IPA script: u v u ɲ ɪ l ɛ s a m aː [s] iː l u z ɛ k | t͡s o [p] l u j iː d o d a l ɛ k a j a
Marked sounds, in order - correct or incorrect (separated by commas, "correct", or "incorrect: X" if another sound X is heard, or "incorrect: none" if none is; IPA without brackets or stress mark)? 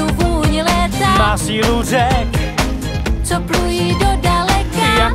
correct, correct